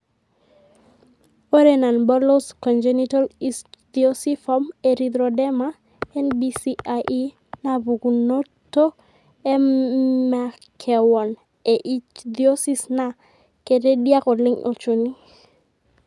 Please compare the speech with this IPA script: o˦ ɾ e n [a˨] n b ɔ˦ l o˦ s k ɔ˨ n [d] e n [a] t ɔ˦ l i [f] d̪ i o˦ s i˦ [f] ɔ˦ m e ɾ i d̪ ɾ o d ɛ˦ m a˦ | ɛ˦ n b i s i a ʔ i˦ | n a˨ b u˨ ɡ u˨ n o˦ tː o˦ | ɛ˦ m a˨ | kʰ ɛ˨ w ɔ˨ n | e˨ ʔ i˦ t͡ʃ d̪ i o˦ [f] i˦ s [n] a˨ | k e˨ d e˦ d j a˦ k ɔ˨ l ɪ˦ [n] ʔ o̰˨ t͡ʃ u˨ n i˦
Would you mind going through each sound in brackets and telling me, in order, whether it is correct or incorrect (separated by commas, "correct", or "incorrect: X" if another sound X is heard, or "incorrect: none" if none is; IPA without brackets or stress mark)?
correct, incorrect: d͡ʒ, incorrect: i, incorrect: s, correct, incorrect: s, correct, incorrect: ŋ